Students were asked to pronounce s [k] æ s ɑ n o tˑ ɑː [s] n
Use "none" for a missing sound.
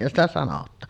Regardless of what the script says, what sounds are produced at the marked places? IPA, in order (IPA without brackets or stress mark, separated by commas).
t, none